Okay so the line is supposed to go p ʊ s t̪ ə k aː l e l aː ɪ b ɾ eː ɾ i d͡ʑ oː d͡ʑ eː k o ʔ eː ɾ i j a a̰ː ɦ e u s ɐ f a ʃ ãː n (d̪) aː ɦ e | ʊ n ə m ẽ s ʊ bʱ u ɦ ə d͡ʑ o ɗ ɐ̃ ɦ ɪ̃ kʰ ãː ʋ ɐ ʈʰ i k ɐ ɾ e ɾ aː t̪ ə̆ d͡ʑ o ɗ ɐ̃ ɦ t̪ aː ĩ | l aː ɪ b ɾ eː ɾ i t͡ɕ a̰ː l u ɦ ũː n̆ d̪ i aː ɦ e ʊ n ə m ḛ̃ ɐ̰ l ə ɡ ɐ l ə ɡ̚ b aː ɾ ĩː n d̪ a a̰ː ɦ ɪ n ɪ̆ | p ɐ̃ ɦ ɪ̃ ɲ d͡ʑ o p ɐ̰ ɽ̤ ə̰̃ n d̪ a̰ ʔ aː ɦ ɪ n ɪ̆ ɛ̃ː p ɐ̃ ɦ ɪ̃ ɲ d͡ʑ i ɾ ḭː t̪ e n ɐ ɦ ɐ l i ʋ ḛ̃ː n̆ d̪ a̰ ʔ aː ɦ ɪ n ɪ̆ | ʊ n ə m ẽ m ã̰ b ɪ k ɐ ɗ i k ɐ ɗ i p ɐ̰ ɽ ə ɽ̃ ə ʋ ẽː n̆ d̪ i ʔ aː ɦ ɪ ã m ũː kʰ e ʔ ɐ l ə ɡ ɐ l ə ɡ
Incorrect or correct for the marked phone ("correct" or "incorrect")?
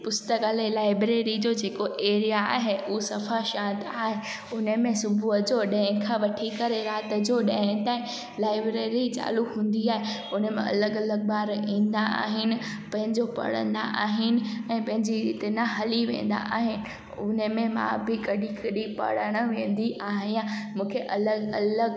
incorrect